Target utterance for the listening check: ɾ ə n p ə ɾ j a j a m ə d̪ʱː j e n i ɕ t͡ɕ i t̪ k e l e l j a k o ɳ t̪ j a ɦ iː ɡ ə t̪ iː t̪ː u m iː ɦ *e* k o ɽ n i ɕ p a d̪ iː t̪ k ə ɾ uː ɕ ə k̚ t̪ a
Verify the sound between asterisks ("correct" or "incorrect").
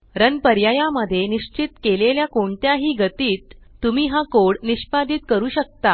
incorrect